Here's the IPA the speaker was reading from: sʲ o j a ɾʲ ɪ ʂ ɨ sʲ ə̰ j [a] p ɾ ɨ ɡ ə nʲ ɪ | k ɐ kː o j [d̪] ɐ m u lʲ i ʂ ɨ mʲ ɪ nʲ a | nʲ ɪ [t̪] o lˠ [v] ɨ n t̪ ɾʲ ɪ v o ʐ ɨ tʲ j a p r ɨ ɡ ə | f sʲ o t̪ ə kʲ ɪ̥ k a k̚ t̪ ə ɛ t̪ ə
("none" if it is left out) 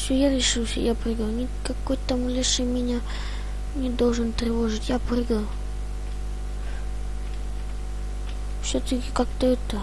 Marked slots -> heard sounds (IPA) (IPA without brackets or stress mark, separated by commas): a, t̪, d̪, ʐ